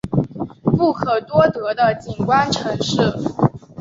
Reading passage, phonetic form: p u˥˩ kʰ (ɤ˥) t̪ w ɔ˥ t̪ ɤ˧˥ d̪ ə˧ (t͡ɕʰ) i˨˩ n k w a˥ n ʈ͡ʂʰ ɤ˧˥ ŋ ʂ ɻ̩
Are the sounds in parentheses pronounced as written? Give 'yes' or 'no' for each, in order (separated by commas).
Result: no, no